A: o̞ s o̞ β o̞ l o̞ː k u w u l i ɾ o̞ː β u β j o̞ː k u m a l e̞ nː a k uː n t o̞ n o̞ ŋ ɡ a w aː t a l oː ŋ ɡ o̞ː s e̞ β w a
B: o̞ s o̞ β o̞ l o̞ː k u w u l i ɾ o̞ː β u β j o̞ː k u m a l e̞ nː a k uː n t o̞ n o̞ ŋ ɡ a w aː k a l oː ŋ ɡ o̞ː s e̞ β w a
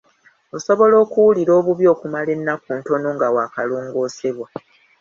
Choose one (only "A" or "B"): B